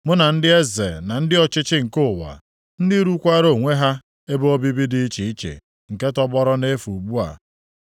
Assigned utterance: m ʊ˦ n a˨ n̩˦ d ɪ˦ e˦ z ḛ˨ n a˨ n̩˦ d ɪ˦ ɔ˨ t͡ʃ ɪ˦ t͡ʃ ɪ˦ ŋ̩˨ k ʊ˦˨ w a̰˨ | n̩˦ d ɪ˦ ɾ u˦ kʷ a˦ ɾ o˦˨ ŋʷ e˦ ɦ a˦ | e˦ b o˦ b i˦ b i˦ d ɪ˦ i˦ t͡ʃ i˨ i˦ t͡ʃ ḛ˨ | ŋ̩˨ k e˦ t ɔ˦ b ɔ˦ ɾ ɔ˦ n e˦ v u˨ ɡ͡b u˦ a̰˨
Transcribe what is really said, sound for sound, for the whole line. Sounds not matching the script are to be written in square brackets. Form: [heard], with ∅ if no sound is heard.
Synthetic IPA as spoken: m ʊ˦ n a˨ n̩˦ d ɪ˦ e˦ z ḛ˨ n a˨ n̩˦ d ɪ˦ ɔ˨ t͡ʃ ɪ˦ t͡ʃ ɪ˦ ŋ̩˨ k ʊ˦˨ w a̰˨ | n̩˦ d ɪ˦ ɾ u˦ kʷ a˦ ɾ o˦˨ ŋʷ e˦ ɦ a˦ | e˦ b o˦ b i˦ b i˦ d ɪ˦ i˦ t͡ʃ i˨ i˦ t͡ʃ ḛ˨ | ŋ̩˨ k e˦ t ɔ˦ b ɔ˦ ɾ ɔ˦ n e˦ [f] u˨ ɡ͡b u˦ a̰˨